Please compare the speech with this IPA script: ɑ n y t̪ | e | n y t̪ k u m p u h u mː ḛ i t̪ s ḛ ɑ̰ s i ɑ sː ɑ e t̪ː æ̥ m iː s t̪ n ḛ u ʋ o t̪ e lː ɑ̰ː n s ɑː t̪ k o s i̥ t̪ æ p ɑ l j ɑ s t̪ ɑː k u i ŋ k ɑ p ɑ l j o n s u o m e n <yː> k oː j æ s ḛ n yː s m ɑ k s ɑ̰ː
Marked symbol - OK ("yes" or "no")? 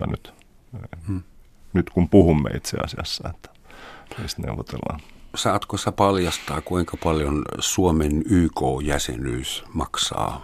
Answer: yes